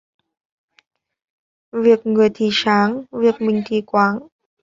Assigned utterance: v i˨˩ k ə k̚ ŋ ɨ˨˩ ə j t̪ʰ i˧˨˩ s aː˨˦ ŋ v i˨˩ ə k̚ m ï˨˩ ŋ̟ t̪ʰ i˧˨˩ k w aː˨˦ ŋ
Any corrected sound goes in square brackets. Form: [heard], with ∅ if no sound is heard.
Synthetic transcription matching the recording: v i˨˩ [∅] ə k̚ ŋ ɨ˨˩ ə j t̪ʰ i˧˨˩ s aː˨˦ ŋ v i˨˩ ə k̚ m ï˨˩ ŋ̟ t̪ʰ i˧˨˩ k w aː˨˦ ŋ